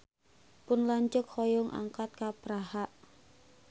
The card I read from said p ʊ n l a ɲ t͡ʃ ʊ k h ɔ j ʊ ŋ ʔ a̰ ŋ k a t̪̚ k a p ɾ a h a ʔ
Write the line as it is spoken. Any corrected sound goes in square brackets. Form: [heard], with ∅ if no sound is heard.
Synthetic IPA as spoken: p ʊ n l a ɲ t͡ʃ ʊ k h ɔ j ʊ ŋ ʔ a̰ ŋ k a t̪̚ k a p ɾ a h a ʔ